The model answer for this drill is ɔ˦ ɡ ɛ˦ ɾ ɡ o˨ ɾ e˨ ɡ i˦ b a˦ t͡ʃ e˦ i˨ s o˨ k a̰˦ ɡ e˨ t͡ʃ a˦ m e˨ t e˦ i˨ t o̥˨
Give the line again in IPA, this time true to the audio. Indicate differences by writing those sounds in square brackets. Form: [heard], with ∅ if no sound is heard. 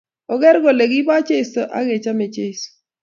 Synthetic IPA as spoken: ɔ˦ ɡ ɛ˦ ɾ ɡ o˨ [l] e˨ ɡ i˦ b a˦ t͡ʃ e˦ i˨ s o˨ [ʔ] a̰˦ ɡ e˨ t͡ʃ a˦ m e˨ [t͡ʃ] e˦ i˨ [s] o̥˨

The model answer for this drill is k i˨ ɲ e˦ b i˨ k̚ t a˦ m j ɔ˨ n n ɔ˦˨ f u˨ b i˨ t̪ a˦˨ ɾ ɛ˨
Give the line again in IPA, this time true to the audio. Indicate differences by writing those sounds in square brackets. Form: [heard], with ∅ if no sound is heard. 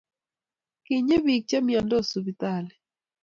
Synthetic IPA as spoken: k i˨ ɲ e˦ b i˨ k̚ [t͡ʃ] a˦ m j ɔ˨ n [d] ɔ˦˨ [s] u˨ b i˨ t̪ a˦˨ [l] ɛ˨

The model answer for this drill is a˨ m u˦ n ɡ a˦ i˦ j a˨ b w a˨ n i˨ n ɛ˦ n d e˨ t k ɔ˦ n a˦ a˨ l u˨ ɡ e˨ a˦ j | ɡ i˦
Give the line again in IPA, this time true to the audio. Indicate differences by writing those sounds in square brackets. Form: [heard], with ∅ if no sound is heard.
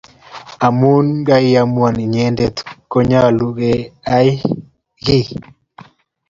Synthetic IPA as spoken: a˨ m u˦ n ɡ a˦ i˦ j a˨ [m] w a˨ n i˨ [ɲ] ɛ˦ n d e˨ t k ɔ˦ [ɲ] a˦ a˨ l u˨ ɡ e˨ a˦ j | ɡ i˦

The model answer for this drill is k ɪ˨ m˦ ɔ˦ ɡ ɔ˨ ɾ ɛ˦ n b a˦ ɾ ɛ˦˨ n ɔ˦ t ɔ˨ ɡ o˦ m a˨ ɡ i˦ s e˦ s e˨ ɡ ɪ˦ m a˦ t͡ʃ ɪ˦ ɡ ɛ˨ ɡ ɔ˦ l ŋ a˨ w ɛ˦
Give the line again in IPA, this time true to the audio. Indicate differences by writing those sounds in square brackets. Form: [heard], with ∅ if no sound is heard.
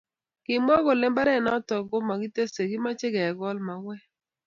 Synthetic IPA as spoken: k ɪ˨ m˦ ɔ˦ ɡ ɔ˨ [l] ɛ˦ [m] b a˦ ɾ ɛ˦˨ n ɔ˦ t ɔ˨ ɡ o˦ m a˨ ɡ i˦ [t] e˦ s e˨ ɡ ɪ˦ m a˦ t͡ʃ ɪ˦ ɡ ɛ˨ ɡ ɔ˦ l [m] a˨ w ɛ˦

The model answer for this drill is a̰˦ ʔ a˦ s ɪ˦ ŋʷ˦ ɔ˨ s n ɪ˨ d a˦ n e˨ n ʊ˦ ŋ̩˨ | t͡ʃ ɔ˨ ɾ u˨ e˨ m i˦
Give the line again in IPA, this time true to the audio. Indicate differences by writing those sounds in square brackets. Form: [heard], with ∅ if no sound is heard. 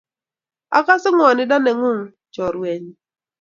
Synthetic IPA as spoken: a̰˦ [k] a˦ s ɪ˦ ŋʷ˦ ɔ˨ [∅] n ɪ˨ d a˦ n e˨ [ŋ] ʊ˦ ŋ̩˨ | t͡ʃ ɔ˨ ɾ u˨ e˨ [ɲ] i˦

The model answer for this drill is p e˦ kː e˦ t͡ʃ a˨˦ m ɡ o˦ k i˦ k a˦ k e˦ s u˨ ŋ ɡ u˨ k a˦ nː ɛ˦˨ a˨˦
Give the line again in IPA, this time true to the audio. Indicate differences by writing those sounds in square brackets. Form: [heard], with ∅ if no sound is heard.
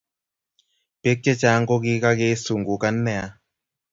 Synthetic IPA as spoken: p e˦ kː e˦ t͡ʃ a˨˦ [ŋ] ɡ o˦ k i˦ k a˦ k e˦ s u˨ ŋ ɡ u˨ k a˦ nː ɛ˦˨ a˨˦

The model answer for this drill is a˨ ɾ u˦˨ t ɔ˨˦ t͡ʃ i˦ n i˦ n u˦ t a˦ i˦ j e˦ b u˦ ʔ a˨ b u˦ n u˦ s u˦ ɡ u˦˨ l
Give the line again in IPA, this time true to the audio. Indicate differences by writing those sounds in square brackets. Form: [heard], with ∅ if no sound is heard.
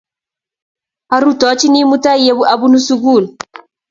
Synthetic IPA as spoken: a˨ ɾ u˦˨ t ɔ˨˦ t͡ʃ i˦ n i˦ [m] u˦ t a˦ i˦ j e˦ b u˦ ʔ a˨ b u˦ n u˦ s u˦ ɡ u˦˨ l

